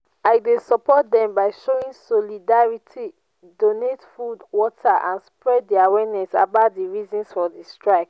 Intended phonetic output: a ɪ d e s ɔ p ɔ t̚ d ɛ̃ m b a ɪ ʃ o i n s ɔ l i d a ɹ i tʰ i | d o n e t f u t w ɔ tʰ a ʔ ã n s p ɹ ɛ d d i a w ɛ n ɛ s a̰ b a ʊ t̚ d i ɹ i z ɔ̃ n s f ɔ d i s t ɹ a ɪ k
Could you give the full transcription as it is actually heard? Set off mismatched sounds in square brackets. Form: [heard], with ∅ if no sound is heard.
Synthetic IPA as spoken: a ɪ d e s ɔ p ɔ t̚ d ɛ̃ m b a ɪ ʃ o [ĩ] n s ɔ l i d a ɹ i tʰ i | d o n e t f u [d] w ɔ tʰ a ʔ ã n s p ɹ ɛ d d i a w ɛ n ɛ s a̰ b a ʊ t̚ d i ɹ i z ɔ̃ n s f ɔ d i s t ɹ a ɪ k